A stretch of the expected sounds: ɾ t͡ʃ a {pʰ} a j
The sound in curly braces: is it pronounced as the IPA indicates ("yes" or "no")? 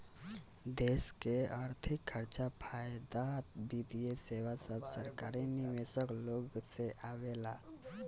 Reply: yes